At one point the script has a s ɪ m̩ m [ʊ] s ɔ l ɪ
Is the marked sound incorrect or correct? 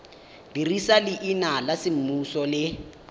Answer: incorrect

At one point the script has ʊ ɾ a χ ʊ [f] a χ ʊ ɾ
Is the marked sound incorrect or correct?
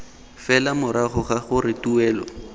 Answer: incorrect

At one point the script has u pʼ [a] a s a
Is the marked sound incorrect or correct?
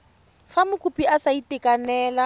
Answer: incorrect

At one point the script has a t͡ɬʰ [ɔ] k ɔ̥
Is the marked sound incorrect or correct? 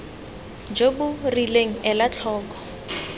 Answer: incorrect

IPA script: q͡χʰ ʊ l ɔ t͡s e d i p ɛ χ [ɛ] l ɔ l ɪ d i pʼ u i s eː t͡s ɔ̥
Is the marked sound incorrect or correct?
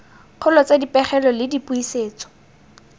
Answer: correct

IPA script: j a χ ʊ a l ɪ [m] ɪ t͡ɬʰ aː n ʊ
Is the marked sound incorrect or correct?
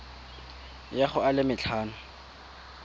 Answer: correct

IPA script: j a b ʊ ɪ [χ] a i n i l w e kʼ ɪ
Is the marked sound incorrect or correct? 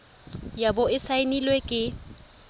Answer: incorrect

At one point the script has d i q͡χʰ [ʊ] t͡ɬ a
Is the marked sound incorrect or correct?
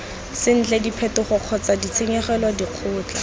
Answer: incorrect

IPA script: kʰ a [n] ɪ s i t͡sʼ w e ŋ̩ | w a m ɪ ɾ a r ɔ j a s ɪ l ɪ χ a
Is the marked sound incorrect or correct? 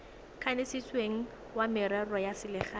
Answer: correct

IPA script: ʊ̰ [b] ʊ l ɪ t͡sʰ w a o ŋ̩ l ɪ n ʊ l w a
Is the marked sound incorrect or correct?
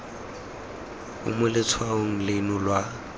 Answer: incorrect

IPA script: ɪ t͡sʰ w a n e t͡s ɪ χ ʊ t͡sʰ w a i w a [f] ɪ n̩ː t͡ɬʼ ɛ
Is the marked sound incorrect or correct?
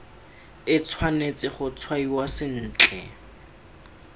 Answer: incorrect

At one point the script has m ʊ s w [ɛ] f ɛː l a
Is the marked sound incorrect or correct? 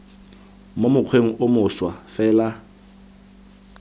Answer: incorrect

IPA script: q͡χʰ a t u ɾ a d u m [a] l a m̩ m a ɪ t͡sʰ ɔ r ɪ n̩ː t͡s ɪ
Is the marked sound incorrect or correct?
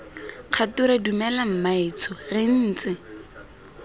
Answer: incorrect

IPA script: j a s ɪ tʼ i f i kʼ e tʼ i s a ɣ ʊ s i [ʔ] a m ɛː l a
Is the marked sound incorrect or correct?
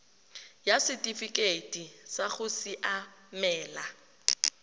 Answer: correct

